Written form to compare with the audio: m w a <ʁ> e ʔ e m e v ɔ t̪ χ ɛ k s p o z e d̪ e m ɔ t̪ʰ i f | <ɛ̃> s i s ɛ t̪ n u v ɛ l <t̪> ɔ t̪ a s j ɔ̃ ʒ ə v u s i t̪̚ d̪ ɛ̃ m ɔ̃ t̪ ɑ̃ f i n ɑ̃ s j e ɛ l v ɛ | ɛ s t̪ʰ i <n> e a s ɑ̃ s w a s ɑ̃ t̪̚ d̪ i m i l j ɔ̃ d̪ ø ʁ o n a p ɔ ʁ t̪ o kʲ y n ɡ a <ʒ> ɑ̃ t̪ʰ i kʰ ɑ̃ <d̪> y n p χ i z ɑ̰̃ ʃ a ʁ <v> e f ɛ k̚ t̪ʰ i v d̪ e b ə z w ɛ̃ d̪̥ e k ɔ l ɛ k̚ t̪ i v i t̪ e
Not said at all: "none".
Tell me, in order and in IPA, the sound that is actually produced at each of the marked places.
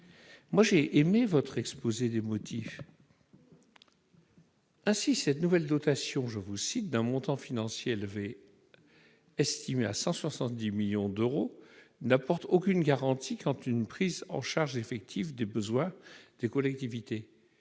ʒ, ɛ̃, d̪, m, ʁ, t̪, ʒ

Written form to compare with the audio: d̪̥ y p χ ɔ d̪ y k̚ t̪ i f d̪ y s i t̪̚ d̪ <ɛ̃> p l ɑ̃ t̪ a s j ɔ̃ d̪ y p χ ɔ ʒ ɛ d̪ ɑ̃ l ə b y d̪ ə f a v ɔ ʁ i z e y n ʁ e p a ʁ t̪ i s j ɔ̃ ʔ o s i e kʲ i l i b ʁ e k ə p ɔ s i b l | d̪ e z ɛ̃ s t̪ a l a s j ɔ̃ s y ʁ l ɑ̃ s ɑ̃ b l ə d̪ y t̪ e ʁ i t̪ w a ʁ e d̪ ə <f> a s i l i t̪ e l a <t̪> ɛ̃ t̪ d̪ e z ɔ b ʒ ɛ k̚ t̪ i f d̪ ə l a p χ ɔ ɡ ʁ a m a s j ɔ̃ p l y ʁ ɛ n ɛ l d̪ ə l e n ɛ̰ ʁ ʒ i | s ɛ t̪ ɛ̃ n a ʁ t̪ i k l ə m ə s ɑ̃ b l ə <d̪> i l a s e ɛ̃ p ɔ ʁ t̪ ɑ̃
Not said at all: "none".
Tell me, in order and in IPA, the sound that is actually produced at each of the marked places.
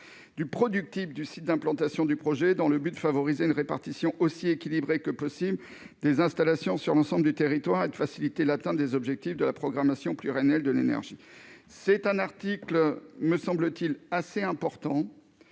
ɛ̃, f, t̪, t̪

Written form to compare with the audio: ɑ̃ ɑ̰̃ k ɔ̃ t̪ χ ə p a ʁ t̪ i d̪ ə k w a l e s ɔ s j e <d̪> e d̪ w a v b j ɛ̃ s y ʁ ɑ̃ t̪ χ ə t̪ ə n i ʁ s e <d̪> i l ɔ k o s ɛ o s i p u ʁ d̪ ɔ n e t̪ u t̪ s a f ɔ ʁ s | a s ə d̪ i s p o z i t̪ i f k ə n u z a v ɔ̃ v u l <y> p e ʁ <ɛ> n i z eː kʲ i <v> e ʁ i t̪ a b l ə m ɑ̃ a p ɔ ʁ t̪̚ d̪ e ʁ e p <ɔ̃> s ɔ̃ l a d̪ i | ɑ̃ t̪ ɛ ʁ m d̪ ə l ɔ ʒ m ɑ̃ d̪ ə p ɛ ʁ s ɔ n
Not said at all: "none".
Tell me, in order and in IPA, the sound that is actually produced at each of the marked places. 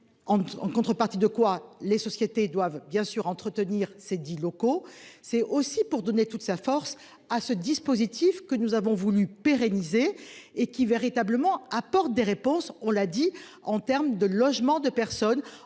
t̪, d̪, y, e, v, ɔ̃

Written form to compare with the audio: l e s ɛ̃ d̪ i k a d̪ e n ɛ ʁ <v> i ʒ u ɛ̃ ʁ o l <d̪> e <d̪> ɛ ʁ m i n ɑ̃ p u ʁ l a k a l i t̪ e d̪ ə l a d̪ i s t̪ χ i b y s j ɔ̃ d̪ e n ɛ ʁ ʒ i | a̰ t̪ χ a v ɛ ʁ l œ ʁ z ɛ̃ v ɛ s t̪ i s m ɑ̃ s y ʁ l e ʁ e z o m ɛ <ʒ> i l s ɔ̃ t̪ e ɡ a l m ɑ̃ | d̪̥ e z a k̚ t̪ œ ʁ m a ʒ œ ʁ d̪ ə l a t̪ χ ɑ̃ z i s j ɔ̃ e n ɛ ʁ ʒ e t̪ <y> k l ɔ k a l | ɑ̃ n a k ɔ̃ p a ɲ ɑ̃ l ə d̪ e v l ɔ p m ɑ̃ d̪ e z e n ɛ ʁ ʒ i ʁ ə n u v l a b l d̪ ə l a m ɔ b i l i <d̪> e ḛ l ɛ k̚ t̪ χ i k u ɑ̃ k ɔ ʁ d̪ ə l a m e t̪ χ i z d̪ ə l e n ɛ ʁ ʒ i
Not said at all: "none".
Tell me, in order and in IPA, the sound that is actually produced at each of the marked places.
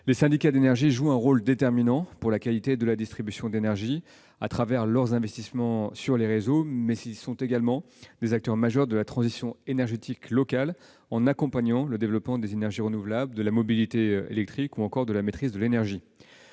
ʒ, d̪, t̪, z, i, t̪

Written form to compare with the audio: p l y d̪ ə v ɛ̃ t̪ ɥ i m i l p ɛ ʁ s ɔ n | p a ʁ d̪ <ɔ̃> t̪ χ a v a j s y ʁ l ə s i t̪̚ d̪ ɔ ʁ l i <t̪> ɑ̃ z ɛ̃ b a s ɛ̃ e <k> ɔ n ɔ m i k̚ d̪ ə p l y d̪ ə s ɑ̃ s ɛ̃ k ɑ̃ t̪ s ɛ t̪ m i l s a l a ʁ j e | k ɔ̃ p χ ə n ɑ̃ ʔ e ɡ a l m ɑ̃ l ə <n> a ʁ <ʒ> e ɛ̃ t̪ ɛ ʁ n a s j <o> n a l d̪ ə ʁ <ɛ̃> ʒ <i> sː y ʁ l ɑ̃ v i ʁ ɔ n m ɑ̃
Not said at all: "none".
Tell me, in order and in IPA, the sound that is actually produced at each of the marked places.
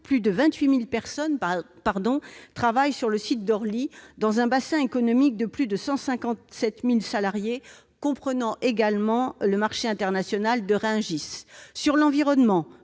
ɔ̃, d̪, k, m, ʃ, ɔ, ɛ̃, i

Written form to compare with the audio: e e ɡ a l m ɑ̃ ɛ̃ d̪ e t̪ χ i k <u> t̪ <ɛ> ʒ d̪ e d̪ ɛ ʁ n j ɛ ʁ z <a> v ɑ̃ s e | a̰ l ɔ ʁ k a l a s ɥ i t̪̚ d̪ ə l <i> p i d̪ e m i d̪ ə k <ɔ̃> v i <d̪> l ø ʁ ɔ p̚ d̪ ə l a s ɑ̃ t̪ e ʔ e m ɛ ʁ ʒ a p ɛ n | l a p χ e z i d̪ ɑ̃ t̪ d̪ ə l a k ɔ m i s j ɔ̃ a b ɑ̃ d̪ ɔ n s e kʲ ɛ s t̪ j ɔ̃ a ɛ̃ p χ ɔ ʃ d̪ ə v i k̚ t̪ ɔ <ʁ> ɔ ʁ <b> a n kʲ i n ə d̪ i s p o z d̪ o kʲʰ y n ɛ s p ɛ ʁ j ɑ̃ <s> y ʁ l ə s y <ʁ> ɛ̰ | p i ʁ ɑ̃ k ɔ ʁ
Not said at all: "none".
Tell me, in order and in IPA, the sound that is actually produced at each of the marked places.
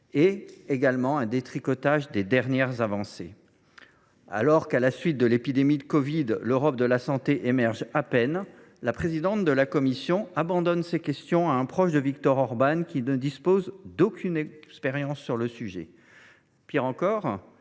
ɔ, a, a, e, ɔ, d̪, ʁ, b, sː, ʒ

